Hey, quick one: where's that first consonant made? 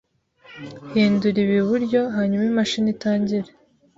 throat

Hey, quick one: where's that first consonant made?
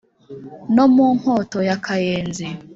tongue tip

